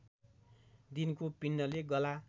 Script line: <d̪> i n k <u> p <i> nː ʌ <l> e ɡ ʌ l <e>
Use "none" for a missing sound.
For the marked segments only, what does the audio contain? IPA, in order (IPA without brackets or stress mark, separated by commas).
d̪, o, i, l, a